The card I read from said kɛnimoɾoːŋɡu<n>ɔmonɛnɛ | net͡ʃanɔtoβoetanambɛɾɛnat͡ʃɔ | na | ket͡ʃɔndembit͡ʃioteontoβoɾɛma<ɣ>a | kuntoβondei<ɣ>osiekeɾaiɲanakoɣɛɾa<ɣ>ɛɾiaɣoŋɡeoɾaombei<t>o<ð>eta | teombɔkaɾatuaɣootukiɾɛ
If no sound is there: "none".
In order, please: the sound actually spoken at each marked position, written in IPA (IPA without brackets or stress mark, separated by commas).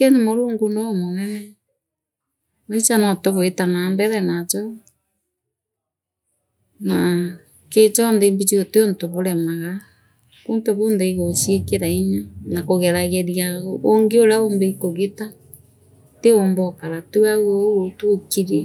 n, ɣ, ɣ, ɣ, k, ɣ